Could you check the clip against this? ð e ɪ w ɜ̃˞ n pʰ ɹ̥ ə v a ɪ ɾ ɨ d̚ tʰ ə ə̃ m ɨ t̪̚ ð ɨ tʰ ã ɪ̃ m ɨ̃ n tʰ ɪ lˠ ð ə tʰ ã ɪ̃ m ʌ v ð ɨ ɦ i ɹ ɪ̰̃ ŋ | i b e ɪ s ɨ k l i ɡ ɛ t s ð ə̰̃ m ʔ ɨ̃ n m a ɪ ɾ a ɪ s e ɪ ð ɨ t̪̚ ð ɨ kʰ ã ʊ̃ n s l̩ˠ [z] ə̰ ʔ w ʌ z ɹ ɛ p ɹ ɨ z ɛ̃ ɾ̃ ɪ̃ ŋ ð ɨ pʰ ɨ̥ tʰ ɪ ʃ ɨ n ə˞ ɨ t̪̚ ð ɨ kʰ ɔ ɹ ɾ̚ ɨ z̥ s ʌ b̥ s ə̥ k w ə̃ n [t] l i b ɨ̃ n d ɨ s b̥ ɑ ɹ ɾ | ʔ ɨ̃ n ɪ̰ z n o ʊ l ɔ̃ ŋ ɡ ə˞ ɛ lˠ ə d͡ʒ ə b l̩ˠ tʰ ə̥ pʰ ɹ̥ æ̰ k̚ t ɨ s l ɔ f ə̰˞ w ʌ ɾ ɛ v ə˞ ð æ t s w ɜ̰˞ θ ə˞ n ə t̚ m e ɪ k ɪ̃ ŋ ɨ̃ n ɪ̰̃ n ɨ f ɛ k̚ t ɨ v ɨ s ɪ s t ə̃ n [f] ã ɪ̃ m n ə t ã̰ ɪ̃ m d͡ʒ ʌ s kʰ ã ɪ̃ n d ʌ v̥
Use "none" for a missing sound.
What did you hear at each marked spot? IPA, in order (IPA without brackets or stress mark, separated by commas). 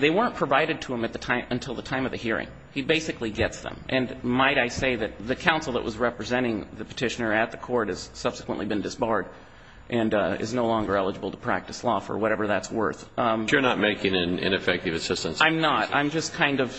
ð, ʔ, s